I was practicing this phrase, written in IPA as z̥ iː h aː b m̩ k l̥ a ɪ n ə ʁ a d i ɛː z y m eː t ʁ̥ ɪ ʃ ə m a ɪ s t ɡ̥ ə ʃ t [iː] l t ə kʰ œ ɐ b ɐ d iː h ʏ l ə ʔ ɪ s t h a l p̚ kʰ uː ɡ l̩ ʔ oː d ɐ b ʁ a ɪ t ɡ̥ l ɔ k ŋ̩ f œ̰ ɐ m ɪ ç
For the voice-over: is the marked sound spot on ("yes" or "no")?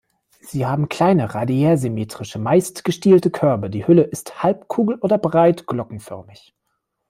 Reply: yes